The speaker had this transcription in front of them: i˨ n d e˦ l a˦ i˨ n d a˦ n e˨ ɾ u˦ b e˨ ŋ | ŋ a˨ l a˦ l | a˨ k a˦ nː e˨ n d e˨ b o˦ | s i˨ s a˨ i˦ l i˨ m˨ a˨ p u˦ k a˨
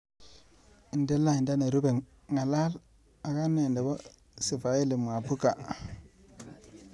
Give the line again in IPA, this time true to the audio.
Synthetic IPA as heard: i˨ n d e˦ l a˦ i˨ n d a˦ n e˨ ɾ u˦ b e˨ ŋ | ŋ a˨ l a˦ l | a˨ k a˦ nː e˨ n d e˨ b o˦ | s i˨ f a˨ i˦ l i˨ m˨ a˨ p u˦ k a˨